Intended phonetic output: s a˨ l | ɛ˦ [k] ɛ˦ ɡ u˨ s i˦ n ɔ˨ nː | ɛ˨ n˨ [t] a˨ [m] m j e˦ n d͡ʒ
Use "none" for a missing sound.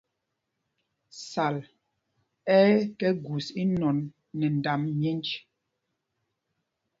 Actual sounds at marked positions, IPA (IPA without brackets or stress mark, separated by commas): k, d, m